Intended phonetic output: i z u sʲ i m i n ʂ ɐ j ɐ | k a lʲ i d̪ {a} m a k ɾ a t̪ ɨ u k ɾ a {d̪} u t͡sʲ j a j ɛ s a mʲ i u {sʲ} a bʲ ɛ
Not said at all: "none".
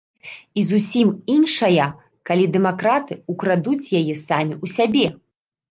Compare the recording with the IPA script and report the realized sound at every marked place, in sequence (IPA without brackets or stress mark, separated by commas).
ɛ, d̪, sʲ